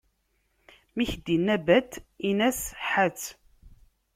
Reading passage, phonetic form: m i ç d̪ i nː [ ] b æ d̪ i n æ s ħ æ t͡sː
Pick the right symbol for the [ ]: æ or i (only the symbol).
æ